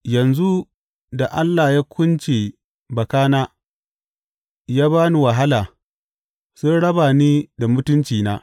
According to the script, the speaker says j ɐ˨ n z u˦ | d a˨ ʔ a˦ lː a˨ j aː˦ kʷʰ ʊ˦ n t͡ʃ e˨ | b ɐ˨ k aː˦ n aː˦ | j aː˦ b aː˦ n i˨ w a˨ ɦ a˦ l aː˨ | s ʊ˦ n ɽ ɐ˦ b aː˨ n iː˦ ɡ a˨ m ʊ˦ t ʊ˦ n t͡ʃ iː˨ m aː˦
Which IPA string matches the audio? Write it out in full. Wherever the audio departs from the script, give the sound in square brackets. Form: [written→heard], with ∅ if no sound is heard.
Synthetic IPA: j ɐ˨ n z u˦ | d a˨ ʔ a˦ lː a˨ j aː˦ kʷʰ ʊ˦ n t͡ʃ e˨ | b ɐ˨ k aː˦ n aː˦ | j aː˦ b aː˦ n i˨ w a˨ ɦ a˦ l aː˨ | s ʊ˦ n ɽ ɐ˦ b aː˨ n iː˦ [ɡ→d] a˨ m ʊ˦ t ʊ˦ n t͡ʃ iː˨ [m→n] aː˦